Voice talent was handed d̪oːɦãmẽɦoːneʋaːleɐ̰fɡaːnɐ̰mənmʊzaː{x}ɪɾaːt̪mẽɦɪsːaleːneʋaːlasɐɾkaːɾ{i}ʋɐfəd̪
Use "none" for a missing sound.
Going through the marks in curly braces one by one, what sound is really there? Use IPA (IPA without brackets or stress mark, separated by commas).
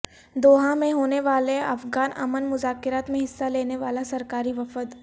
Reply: k, i